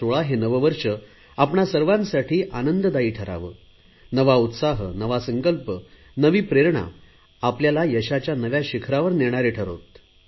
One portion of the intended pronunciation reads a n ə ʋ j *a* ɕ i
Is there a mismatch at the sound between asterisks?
no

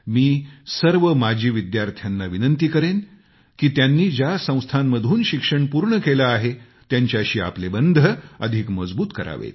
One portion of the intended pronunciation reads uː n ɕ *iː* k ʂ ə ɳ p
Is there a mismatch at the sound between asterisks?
yes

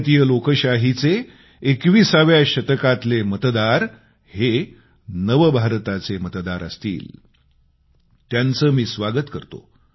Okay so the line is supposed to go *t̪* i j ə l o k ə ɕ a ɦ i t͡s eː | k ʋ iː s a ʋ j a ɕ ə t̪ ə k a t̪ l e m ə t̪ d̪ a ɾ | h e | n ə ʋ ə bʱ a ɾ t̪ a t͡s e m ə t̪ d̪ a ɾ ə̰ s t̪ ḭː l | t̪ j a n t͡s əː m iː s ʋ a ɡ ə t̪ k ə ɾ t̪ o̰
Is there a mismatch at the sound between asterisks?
no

